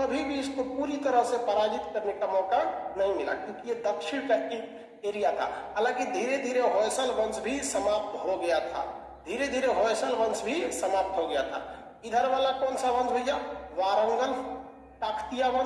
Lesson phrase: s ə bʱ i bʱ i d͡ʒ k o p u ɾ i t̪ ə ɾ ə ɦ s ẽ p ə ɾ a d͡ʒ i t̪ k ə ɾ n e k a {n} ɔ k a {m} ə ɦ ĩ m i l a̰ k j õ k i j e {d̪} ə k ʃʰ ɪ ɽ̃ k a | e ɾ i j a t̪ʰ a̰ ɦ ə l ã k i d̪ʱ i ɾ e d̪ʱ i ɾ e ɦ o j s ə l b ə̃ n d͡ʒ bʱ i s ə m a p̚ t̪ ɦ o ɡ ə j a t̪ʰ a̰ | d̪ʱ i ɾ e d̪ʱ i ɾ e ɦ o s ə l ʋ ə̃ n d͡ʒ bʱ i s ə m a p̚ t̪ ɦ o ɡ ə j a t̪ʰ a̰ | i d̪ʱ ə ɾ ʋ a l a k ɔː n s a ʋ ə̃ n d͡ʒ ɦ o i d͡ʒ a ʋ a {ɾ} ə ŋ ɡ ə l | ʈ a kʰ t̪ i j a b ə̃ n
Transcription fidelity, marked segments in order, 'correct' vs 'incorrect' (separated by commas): incorrect, incorrect, correct, correct